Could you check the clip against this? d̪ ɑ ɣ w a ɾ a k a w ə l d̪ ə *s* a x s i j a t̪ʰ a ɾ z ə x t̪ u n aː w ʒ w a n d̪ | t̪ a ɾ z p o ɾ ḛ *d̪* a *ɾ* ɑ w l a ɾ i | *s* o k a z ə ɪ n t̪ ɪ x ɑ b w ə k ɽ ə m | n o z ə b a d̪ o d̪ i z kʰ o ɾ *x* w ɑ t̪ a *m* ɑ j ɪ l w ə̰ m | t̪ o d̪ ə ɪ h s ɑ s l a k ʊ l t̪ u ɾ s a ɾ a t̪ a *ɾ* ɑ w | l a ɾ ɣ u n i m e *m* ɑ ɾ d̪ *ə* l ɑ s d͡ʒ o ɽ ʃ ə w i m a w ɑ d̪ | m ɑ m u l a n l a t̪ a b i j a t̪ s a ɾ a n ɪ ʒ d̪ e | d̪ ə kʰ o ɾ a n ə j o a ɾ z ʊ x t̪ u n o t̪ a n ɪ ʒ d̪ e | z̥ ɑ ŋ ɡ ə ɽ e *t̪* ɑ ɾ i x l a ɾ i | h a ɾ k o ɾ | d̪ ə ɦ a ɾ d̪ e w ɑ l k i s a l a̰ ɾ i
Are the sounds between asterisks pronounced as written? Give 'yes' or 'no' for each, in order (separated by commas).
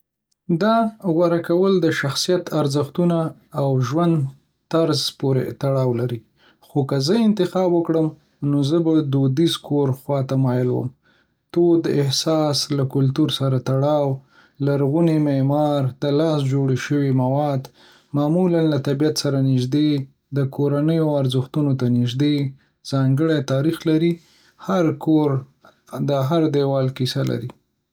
no, no, no, no, yes, yes, no, yes, yes, yes